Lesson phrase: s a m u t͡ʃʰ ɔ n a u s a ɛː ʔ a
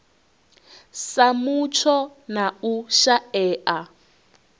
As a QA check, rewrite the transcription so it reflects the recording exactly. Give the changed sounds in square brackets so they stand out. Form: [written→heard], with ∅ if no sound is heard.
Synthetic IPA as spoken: s a m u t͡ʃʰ ɔ n a u [s→ʃ] a ɛː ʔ a